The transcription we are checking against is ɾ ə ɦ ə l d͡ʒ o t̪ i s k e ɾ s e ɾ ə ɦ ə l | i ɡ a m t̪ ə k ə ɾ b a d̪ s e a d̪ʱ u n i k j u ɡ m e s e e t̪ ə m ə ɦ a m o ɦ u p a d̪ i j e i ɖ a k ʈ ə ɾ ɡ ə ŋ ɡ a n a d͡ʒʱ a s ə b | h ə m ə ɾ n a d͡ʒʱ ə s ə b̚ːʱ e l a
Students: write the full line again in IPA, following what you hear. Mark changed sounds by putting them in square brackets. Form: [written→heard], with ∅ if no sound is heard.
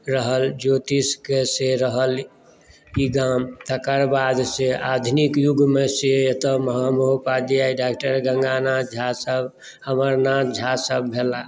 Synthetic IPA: ɾ ə ɦ ə l d͡ʒ o t̪ i s k e [ɾ→∅] s e ɾ ə ɦ ə l | i ɡ a m t̪ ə k ə ɾ b a d̪ s e a d̪ʱ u n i k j u ɡ m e s e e t̪ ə m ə ɦ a m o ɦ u p a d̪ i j [e→a] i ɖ a k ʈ ə ɾ ɡ ə ŋ ɡ a n a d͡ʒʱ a s ə b | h ə m ə ɾ n a d͡ʒʱ [ə→a] s ə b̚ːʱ e l a